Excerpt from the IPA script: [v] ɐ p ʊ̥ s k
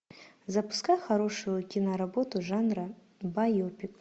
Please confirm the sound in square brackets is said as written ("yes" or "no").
no